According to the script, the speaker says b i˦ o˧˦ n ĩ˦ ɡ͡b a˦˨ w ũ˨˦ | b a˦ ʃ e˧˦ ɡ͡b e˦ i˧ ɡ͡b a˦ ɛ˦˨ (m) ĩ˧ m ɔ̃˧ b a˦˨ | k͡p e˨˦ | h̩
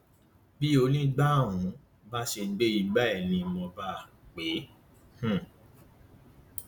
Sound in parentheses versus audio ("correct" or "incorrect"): incorrect